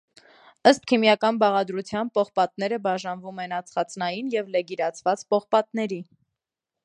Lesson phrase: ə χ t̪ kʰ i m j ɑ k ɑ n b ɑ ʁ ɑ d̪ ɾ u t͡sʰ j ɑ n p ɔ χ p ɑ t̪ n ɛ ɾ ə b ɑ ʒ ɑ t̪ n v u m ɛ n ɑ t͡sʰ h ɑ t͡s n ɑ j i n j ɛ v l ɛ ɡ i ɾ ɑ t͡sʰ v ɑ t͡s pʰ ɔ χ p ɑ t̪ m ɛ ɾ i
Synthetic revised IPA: ə s t̪ kʰ i m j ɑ k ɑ n b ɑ ʁ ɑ d̪ ɾ u t͡sʰ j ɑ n p ɔ χ p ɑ t̪ n ɛ ɾ ə b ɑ ʒ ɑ n v u m ɛ n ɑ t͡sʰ χ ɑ t͡s n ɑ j i n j ɛ v l ɛ ɡ i ɾ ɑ t͡sʰ v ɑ t͡s p ɔ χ p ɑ t̪ n ɛ ɾ i